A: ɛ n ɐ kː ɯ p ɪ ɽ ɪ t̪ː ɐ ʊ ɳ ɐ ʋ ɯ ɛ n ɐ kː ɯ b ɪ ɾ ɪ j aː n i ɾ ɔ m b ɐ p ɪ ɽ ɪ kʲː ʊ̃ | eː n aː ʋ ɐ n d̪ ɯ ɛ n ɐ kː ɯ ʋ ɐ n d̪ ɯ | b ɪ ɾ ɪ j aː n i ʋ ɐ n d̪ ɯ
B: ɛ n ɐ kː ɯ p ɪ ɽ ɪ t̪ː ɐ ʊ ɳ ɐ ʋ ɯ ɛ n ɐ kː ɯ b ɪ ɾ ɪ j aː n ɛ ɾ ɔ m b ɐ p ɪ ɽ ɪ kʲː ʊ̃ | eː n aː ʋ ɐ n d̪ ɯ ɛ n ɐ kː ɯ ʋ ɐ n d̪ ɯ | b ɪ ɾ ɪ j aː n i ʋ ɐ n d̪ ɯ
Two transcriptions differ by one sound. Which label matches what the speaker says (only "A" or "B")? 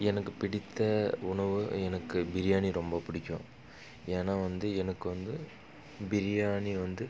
A